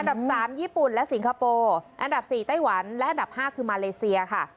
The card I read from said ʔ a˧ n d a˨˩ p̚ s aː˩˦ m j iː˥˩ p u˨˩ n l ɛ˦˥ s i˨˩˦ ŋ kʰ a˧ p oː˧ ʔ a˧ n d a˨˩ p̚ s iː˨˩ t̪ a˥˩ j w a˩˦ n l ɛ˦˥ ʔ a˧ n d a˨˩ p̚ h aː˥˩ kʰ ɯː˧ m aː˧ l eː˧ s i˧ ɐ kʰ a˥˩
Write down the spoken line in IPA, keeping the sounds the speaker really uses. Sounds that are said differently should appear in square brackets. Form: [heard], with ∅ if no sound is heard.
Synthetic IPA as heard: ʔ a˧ n d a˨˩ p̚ s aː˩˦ m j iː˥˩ p u˨˩ n l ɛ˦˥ s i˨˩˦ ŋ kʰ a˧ p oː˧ ʔ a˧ n d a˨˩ p̚ s iː˨˩ t̪ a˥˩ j w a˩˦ n l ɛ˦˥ ʔ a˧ n d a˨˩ p̚ h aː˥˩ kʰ ɯː˧ m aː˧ l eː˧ s i˧ ɐ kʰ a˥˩